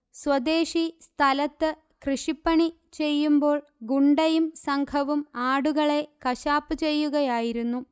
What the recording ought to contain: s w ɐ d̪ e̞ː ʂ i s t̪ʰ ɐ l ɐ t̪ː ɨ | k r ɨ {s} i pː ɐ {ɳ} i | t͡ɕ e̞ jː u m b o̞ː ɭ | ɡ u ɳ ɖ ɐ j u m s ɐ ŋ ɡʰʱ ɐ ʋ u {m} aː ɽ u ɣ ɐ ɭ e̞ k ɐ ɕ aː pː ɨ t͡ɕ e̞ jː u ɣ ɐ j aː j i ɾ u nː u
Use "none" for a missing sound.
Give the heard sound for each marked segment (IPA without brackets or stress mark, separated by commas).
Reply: ʂ, ɳ, m